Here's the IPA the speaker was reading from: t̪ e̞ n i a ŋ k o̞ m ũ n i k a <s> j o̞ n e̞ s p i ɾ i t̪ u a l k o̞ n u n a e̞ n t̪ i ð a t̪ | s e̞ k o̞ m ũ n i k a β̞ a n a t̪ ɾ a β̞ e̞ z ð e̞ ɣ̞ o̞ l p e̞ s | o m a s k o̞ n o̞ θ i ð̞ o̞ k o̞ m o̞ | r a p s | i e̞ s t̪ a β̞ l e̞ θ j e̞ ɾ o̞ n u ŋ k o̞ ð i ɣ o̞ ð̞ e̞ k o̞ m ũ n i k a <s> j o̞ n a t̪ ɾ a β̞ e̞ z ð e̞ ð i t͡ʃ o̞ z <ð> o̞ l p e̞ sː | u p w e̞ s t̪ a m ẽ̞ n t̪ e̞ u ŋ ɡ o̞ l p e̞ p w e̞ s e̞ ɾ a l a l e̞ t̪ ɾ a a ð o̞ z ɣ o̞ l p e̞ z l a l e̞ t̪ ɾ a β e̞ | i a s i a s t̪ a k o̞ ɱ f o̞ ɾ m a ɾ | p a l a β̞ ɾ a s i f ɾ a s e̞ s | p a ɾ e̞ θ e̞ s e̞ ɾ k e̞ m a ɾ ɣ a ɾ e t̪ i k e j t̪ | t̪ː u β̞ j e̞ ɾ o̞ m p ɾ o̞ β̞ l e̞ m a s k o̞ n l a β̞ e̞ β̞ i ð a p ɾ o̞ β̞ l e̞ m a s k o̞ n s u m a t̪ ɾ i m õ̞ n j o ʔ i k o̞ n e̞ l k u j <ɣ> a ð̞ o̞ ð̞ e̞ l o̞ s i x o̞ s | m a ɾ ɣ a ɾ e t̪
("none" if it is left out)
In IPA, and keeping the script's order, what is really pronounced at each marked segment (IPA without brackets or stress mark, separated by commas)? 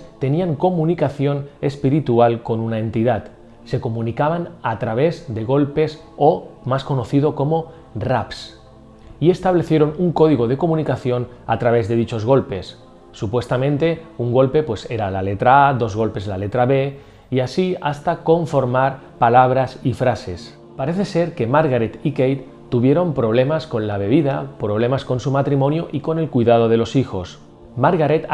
θ, θ, ɣ, ð